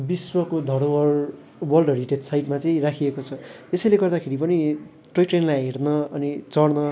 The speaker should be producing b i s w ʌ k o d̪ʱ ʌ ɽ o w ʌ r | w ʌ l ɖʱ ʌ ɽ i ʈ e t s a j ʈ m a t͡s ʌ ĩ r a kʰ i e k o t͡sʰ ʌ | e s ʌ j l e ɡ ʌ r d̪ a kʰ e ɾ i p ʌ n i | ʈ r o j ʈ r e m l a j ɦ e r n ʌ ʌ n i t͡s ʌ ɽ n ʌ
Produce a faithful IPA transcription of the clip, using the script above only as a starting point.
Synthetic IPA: b i s w ʌ k o d̪ʱ ʌ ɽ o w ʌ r | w ʌ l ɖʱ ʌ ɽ i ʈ e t s a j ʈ m a t͡s ʌ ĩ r a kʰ i e k o t͡sʰ ʌ | e s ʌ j l e ɡ ʌ r d̪ a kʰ e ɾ i p ʌ n i | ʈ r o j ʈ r e n l a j ɦ e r n ʌ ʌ n i t͡s ʌ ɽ n ʌ